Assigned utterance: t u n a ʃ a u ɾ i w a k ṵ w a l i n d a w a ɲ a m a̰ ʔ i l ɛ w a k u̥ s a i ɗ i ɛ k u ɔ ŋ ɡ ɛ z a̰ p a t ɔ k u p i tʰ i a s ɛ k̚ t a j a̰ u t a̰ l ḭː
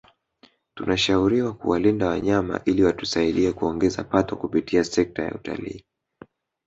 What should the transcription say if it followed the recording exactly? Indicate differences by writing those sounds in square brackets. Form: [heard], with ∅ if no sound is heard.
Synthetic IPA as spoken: t u n a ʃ a u ɾ i w a k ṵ w a l i n d a w a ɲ a m a̰ ʔ i l [i] w a [t] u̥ s a i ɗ i ɛ k u ɔ ŋ ɡ ɛ z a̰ p a t ɔ k u p i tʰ i a s ɛ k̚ t a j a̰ u t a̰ l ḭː